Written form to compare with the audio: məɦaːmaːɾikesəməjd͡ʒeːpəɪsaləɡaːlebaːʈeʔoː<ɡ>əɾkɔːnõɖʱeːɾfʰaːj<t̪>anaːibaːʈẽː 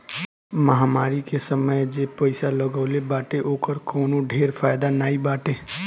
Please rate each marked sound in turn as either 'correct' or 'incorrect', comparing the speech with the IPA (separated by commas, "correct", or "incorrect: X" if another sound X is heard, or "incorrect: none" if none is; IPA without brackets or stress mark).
incorrect: k, incorrect: d̪